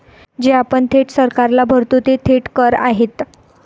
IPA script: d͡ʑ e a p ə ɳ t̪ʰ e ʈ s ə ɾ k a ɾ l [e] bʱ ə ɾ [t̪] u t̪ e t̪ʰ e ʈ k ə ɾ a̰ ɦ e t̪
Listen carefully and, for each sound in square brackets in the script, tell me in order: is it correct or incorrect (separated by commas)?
incorrect, correct